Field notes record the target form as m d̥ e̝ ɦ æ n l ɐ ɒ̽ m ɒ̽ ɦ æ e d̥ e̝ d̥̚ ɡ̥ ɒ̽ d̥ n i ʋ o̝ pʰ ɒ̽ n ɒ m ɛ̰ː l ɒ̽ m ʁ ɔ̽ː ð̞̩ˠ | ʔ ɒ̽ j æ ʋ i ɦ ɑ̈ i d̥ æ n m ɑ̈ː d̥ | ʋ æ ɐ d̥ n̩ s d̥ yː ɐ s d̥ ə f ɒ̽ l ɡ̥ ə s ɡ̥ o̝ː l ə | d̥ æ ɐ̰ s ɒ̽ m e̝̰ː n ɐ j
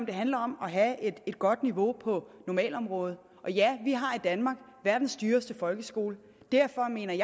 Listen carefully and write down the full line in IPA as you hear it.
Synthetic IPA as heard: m d̥ e̝ ɦ æ n l ɐ ɒ̽ m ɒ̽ ɦ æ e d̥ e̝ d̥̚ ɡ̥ ɒ̽ d̥ n i ʋ o̝ pʰ ɒ̽ n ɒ m ɛ̰ː l ɒ̽ m ʁ ɔ̽ː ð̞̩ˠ | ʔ ɒ̽ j æ ʋ i ɦ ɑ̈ i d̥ æ n m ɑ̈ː ɡ̥ | ʋ æ ɐ d̥ n̩ s d̥ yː ɐ s d̥ ə f ɒ̽ l ɡ̥ ə s ɡ̥ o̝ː l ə | d̥ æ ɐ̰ f ɒ̽ m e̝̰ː n ɐ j